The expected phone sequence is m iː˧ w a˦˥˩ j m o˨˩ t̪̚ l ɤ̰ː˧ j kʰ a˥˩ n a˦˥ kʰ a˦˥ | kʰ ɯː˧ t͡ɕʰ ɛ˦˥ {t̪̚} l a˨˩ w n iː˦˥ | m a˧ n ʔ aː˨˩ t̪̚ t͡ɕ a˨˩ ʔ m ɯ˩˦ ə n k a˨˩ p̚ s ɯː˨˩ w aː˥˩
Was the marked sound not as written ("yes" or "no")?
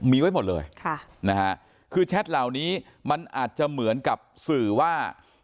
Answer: no